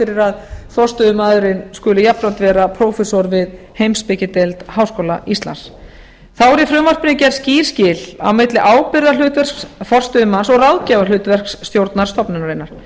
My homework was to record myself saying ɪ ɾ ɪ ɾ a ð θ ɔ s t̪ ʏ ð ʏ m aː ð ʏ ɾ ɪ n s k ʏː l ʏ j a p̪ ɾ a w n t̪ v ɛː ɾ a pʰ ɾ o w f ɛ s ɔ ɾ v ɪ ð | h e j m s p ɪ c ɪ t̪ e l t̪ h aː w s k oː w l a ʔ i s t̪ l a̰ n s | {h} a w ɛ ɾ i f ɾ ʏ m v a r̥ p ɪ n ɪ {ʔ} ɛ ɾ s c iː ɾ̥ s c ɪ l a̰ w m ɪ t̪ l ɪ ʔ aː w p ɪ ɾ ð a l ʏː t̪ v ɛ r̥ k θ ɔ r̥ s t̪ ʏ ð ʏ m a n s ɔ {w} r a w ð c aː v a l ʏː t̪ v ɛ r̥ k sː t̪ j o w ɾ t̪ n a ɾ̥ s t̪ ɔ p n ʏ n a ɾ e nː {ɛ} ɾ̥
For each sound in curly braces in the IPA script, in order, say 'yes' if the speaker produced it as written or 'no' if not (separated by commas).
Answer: no, no, no, no